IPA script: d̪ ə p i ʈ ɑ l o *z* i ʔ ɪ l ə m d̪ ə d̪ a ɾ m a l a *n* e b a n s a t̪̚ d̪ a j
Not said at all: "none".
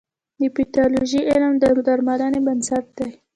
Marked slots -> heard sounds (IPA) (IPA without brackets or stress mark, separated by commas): ʒ, n